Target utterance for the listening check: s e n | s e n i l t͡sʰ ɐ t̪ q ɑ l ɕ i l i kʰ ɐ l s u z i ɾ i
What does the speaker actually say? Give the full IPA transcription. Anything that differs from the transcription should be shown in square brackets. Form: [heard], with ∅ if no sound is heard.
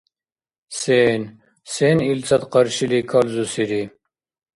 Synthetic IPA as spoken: s e n | s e n i l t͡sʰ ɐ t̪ q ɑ [ɾ] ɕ i l i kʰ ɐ l [z] u [s] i ɾ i

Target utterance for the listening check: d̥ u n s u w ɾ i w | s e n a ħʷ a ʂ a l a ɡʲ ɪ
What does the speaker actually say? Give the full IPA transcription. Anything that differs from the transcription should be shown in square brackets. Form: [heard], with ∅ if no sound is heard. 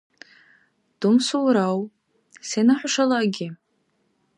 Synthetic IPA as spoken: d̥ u [m] s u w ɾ [a] w | s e n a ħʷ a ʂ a l a ɡʲ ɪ

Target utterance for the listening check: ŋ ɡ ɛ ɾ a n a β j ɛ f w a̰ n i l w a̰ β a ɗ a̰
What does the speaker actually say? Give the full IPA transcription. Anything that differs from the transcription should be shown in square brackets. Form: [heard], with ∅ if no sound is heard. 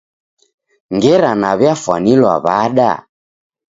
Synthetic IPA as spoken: ŋ ɡ ɛ ɾ a n a β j [a] f w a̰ n i l w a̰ β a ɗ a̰

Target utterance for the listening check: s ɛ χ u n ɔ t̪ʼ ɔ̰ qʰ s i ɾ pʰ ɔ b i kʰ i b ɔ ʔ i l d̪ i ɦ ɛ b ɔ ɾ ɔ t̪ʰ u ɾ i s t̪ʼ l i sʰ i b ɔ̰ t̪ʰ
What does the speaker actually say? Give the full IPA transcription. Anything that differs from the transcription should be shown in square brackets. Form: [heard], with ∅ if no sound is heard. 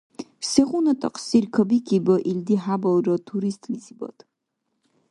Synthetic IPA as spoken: s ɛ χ u n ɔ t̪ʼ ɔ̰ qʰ s i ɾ [kʰ] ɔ b i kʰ i b ɔ ʔ i l d̪ i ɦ [a] b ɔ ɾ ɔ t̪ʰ u ɾ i s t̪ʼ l i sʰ i b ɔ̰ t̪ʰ

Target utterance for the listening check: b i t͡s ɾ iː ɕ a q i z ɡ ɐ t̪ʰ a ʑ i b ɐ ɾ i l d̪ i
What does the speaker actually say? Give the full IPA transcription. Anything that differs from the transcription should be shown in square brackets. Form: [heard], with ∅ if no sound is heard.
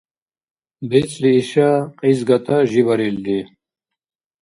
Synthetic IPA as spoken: b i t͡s [l] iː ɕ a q i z ɡ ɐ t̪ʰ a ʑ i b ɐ ɾ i l d̪ i

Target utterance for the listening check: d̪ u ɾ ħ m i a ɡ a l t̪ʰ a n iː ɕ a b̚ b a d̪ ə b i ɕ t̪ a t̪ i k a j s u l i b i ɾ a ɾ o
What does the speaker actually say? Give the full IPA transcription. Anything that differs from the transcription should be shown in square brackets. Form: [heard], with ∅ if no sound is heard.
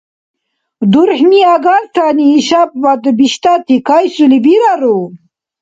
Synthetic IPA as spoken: d̪ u ɾ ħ m i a ɡ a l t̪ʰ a n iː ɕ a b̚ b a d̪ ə b i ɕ t̪ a t̪ i k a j s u l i b i ɾ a ɾ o

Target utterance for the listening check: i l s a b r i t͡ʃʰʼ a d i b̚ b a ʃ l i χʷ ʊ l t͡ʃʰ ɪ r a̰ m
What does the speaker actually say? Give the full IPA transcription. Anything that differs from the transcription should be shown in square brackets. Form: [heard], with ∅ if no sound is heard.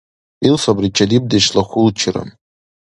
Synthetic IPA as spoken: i l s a b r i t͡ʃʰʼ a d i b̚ [d] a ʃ l [a] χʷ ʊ l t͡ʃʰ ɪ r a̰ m

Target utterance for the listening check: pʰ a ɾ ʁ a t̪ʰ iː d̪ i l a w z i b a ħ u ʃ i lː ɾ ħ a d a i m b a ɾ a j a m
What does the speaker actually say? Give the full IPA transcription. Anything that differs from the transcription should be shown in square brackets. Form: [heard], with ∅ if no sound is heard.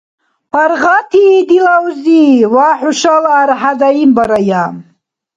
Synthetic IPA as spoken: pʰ a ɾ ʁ a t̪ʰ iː d̪ i l a w z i [w] a ħ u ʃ [a] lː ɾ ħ a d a i m b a ɾ a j a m

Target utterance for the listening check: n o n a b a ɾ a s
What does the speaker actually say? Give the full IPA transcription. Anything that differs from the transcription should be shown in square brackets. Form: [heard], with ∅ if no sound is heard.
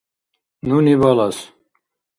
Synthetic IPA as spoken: n [u] n [i] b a [l] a s

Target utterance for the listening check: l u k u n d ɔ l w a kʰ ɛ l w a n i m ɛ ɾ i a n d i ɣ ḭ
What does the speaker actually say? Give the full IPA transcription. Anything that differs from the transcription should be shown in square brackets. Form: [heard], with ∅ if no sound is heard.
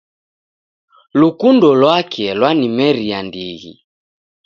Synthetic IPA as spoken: l u k u n d ɔ l w a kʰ ɛ l w a n i m ɛ ɾ i a n d i ɣ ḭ

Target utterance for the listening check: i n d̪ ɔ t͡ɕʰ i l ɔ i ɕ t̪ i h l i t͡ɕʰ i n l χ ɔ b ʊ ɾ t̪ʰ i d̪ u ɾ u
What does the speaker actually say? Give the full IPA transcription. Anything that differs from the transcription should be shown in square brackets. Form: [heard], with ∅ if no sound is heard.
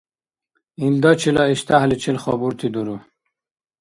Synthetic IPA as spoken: i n d̪ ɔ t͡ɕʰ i l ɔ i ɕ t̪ [a] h l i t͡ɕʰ i [∅] l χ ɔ b [u] ɾ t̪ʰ i d̪ u ɾ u

